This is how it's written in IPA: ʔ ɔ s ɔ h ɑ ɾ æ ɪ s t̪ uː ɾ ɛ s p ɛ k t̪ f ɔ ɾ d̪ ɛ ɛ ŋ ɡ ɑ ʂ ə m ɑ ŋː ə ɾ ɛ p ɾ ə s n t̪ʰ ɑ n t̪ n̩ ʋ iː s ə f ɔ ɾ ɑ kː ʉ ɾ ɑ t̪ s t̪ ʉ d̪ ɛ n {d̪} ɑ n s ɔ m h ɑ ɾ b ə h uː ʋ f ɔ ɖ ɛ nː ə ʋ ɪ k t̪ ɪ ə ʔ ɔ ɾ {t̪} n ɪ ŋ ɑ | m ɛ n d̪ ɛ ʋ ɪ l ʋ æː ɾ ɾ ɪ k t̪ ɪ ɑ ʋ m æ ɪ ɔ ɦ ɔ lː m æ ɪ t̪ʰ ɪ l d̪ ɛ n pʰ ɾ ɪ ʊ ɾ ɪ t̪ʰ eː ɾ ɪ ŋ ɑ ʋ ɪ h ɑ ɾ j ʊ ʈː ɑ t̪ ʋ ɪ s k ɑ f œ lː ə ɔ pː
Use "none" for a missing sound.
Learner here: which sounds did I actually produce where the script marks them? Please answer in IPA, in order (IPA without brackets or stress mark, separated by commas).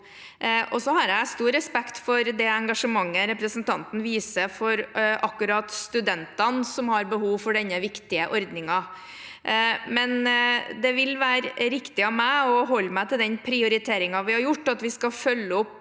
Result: t̪, d̪